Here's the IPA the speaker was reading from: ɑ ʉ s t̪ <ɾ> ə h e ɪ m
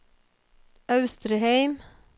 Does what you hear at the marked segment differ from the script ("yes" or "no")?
no